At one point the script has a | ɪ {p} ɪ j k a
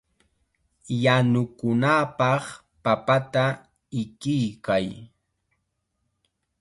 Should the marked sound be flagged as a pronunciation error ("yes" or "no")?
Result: yes